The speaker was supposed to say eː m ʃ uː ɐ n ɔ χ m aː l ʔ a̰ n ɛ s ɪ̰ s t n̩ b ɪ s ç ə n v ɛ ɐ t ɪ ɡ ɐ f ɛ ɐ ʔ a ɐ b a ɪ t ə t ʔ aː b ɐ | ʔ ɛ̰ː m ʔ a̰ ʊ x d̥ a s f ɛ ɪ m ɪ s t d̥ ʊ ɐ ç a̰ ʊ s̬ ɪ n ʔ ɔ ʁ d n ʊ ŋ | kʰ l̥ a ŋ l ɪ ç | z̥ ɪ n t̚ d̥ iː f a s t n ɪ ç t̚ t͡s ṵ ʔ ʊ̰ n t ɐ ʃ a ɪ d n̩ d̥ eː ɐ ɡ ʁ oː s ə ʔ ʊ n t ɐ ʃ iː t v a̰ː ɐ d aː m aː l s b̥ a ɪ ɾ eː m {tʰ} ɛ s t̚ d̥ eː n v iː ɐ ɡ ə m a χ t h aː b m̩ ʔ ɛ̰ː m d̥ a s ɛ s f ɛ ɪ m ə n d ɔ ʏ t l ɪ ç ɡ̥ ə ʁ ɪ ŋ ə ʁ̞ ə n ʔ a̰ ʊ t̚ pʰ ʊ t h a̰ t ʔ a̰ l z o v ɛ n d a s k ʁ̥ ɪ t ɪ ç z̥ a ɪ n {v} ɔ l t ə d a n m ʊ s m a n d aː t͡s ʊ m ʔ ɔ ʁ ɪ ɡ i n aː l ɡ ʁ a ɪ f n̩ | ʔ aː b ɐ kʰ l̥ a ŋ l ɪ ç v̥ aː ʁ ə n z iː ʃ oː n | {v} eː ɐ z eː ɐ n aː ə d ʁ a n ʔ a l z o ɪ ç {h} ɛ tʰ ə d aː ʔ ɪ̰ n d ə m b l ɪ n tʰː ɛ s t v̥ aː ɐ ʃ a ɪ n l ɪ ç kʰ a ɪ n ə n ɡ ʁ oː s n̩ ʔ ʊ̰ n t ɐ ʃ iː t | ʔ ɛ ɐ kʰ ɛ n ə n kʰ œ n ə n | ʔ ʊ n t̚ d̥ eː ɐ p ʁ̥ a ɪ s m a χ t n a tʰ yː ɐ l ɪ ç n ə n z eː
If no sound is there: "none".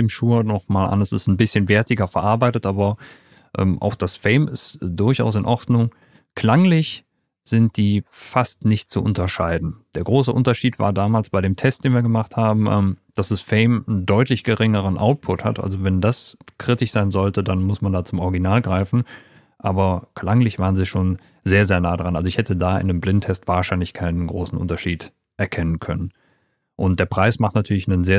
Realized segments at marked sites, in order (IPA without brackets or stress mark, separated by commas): tʰ, z, z, h